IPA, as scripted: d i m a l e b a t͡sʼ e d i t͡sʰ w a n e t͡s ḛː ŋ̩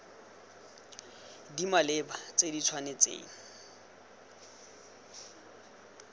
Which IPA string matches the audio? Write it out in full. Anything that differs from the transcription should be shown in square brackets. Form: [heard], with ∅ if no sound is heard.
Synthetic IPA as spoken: d i m a l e b a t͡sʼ e d i t͡sʰ w a n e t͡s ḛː ŋ̩